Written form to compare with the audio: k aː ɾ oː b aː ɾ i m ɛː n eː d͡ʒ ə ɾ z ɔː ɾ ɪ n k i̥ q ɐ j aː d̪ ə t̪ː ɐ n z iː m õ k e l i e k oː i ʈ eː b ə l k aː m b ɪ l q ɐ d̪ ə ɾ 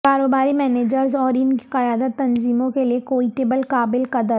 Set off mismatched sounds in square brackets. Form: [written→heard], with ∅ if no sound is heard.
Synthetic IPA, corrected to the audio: k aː ɾ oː b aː ɾ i m ɛː n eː d͡ʒ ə ɾ z ɔː ɾ ɪ n k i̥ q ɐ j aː d̪ ə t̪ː ɐ n z iː m õ k e l i e k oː i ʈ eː b ə l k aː [m→∅] b ɪ l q ɐ d̪ ə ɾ